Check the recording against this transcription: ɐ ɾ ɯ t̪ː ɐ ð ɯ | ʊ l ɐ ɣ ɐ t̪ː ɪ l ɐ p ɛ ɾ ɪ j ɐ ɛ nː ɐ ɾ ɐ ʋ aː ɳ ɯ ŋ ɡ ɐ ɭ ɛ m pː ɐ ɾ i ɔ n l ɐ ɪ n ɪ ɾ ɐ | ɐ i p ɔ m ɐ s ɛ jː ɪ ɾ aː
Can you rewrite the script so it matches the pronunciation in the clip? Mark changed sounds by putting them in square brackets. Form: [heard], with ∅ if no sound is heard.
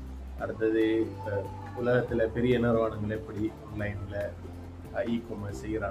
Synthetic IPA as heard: ɐ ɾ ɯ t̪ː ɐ ð ɯ | ʊ l ɐ ɣ ɐ t̪ː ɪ l ɐ p ɛ ɾ ɪ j ɐ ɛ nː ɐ ɾ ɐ ʋ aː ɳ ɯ ŋ ɡ ɐ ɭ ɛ [∅] pː ɐ [ɽ] i ɔ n l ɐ ɪ n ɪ [l] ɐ | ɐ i [k] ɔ m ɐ s ɛ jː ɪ ɾ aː